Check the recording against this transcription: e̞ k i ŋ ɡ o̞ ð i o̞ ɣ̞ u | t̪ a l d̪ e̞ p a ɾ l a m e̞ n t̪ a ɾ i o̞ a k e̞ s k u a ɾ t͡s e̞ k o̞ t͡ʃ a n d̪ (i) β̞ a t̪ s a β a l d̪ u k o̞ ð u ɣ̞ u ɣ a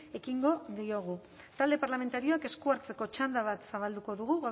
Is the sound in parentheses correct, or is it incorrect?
incorrect